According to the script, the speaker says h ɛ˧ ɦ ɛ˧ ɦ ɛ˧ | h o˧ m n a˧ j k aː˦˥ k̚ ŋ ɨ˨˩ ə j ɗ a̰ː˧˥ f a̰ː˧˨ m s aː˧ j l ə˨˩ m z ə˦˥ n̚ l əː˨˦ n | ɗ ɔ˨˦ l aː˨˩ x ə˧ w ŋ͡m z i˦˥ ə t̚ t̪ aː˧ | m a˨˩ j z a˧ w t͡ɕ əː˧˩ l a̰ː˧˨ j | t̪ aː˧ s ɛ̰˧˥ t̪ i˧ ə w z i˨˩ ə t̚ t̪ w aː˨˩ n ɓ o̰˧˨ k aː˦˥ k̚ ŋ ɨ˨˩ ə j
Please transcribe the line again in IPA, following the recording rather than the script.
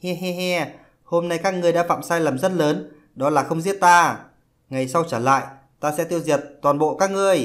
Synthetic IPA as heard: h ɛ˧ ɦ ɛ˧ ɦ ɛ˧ | h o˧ m n a˧ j k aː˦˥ k̚ ŋ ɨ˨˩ ə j ɗ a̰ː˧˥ f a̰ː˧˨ m s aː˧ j l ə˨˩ m z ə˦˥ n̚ l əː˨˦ n | ɗ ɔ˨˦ l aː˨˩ x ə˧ w ŋ͡m z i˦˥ ə t̚ t̪ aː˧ | ŋ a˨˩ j s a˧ w t͡ɕ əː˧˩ l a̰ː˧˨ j | t̪ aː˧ s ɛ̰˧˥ t̪ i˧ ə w z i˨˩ ə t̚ t̪ w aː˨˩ n ɓ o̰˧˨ k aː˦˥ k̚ ŋ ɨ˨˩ ə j